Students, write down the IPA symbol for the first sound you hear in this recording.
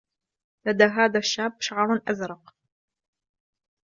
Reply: l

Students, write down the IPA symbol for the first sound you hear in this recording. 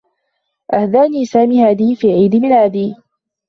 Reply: ʔ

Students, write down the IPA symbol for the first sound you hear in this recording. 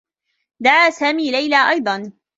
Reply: d̪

